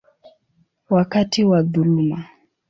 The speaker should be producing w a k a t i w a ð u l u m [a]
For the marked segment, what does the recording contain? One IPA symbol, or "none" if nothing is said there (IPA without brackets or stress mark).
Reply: a